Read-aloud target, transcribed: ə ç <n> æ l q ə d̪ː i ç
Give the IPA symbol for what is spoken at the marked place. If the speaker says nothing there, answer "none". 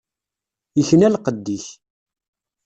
n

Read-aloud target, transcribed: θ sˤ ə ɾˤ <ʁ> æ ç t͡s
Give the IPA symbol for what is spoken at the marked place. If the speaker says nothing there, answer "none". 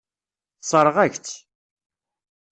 ʁ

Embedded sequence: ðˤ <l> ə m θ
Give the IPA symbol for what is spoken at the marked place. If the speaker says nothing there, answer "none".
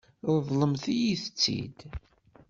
l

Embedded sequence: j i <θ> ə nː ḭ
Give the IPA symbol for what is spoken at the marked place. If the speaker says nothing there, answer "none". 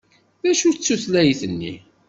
θ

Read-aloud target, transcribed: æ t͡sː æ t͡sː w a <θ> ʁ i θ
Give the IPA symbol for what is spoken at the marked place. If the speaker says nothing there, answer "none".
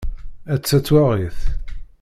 none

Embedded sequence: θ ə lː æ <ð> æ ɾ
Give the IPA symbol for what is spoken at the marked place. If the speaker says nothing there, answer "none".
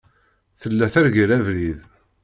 θ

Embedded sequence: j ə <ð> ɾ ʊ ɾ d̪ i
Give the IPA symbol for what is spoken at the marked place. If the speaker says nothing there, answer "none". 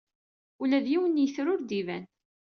θ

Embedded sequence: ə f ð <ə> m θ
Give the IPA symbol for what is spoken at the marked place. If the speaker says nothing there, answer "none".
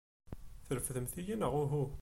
ə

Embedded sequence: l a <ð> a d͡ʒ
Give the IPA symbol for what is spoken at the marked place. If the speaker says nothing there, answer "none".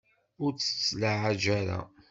ʕ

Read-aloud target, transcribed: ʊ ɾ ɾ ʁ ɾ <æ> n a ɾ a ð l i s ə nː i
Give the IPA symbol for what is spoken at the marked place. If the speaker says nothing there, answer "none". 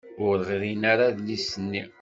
i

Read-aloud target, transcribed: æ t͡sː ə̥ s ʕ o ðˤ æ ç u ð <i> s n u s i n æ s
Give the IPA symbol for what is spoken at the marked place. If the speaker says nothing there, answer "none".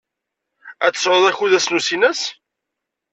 æ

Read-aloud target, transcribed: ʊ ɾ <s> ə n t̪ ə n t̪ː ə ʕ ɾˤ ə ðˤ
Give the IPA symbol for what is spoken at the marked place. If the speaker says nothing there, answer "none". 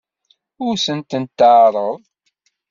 s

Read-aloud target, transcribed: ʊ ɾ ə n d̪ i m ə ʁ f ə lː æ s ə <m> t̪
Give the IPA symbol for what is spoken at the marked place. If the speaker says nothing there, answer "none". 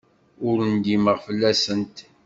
n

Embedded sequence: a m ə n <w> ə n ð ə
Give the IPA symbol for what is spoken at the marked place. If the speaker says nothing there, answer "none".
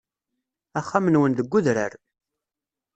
w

